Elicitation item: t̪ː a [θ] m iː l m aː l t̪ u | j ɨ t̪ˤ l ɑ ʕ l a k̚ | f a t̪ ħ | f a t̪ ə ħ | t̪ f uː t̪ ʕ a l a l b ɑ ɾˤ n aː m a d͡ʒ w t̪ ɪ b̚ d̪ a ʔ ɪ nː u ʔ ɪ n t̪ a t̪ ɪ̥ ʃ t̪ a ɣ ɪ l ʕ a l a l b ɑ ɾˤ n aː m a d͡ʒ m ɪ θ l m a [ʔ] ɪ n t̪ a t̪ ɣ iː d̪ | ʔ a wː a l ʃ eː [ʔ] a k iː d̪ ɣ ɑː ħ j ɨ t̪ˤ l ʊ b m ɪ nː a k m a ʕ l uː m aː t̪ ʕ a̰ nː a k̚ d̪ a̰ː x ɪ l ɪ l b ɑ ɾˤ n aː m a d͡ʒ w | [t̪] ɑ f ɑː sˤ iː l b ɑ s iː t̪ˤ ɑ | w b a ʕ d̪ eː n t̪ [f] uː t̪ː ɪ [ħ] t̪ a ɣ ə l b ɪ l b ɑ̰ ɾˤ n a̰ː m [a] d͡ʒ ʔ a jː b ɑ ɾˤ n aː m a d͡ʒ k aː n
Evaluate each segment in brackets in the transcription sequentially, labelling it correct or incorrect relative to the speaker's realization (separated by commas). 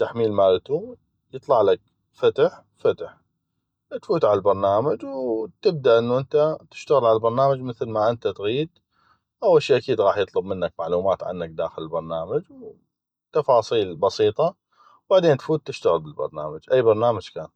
incorrect, correct, correct, correct, correct, incorrect, correct